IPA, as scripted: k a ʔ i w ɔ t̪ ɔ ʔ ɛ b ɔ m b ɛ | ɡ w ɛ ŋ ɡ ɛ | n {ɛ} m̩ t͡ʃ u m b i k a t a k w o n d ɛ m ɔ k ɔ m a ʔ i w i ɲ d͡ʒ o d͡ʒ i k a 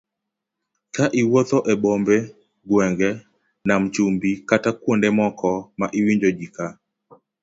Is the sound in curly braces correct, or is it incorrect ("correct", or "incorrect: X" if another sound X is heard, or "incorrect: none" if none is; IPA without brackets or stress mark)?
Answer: incorrect: a